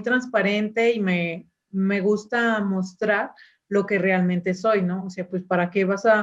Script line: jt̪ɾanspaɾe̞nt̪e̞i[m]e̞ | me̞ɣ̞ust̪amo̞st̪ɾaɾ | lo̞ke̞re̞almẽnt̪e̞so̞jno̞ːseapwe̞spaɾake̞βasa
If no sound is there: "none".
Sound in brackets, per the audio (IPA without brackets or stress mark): m